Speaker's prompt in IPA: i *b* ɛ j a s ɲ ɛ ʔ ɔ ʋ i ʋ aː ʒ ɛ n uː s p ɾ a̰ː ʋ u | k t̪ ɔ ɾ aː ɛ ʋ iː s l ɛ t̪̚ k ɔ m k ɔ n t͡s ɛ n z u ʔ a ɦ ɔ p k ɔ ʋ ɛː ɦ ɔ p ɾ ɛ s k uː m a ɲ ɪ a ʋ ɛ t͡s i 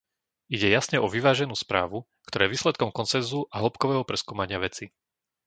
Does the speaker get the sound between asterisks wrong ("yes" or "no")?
yes